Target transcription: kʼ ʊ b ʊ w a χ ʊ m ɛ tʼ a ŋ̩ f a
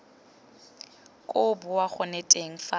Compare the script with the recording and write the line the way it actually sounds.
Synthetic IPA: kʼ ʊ b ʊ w a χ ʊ n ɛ tʼ e ŋ̩ f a

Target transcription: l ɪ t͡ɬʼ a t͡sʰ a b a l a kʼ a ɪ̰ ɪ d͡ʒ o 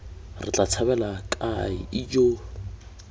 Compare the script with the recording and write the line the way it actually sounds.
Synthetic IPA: r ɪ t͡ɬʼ a t͡sʰ a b ɛ l a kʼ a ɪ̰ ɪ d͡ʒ o

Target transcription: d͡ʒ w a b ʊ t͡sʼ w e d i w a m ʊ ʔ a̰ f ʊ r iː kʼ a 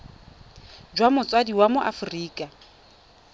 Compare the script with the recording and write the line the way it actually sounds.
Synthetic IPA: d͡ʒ w a m ʊ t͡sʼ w a d i w a m ʊ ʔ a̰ f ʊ r iː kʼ a

